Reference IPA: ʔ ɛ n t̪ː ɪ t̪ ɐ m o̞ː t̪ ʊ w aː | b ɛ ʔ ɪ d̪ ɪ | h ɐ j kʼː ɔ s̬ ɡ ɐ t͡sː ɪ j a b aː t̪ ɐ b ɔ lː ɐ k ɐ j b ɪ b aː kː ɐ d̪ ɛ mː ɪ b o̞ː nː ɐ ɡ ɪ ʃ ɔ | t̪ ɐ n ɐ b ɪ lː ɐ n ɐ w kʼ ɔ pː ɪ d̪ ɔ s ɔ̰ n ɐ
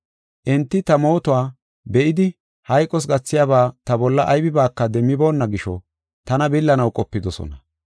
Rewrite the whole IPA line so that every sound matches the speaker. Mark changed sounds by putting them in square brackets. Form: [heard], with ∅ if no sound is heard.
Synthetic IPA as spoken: ʔ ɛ n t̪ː ɪ t̪ ɐ m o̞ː t̪ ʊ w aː | b ɛ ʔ ɪ d̪ ɪ | h ɐ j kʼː ɔ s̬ ɡ ɐ t͡sː ɪ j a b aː t̪ ɐ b ɔ lː ɐ [ʔ] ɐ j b ɪ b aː kː ɐ d̪ ɛ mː ɪ b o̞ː nː ɐ ɡ ɪ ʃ ɔ | t̪ ɐ n ɐ b ɪ lː ɐ n ɐ w kʼ ɔ pː ɪ d̪ ɔ s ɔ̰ n ɐ